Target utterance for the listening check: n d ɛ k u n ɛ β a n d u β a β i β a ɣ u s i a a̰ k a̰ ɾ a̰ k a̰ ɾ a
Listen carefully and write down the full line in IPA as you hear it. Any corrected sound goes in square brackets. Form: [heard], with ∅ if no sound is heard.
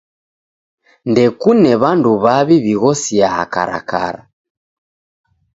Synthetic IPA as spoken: n d ɛ k u n ɛ β a n d u β a β i β [i] ɣ [ɔ] s i a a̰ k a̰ ɾ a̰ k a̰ ɾ a